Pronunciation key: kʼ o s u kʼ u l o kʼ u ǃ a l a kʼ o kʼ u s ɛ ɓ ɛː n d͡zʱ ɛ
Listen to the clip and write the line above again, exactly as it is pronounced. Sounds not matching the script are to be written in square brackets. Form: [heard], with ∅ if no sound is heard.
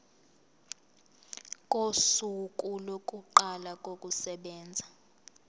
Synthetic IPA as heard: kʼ o s u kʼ u l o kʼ u ǃ a l a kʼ o kʼ u s ɛ ɓ ɛː n d͡zʱ [a]